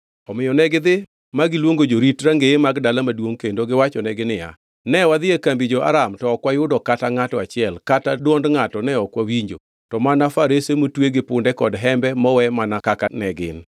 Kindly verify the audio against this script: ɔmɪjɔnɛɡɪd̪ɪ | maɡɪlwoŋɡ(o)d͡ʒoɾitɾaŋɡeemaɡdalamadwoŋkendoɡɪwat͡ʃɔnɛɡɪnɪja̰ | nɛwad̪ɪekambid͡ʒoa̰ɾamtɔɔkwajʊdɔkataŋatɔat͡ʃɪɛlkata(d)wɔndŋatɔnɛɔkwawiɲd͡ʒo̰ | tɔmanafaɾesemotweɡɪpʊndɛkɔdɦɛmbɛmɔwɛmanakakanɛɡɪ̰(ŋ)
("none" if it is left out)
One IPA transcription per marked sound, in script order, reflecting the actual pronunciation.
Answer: o, d, n

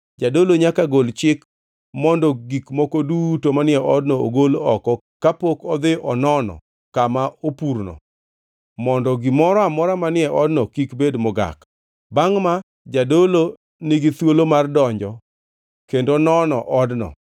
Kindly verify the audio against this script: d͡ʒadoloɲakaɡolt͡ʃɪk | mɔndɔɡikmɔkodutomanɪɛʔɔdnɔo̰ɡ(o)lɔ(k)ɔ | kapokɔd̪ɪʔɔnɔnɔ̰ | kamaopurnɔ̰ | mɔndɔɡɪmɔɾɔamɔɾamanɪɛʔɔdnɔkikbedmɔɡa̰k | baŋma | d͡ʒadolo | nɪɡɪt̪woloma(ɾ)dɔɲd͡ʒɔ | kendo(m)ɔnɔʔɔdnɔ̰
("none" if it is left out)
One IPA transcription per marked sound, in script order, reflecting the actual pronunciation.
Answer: o, k, r, n

